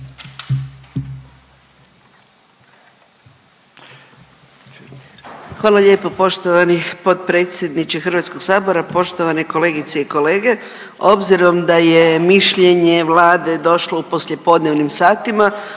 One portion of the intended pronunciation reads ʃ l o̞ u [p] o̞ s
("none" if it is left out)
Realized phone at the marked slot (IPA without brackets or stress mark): p